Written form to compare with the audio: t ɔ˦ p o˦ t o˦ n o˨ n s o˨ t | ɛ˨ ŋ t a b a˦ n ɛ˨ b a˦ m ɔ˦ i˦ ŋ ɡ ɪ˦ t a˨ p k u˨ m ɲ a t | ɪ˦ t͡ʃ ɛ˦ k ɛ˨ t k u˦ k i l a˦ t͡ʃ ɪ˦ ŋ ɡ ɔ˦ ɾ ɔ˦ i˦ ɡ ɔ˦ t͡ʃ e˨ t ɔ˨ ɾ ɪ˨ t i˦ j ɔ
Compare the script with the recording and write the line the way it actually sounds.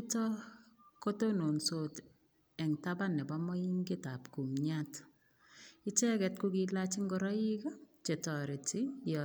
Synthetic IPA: t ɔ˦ k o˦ t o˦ n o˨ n s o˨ t | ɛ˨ ŋ t a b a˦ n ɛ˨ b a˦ m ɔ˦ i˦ ŋ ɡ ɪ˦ t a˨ p k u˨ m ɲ a t | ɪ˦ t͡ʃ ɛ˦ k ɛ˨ t k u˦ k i l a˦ t͡ʃ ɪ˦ ŋ ɡ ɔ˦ ɾ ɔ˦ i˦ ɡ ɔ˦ t͡ʃ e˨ t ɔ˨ ɾ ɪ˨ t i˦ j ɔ